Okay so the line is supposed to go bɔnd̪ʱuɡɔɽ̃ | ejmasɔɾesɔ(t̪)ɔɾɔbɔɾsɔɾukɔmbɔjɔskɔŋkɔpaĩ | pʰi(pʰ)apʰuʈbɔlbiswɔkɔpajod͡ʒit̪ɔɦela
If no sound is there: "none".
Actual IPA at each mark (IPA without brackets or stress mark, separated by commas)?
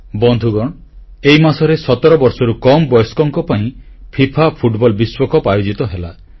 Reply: t̪, pʰ